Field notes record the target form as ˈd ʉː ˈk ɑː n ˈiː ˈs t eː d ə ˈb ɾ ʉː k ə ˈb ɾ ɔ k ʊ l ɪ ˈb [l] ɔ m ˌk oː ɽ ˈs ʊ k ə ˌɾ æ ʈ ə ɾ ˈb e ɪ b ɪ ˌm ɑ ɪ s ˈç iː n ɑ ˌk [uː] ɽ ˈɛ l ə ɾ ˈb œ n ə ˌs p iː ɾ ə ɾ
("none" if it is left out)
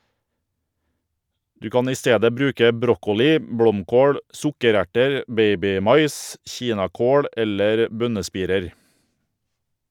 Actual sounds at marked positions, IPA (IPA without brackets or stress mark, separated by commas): ɽ, oː